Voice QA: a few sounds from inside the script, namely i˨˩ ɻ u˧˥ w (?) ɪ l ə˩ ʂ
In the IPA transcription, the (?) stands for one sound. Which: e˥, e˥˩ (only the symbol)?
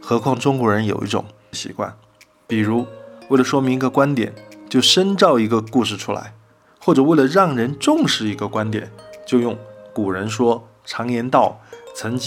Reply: e˥˩